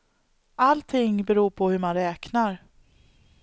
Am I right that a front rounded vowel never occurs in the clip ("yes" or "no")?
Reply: yes